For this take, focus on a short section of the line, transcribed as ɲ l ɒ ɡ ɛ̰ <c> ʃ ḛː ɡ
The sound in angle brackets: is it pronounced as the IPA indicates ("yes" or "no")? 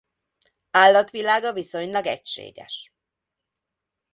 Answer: yes